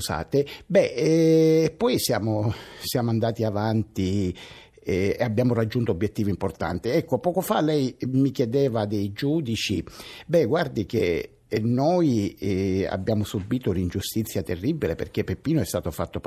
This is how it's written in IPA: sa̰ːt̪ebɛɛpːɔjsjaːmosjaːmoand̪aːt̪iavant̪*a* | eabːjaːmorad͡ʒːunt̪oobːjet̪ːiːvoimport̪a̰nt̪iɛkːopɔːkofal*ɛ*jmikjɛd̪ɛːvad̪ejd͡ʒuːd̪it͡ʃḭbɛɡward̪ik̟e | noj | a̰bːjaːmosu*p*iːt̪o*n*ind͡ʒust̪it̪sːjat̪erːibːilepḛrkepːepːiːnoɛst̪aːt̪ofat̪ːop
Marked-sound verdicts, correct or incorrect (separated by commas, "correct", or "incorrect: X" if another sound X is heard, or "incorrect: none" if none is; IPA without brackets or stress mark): incorrect: i, correct, incorrect: b, correct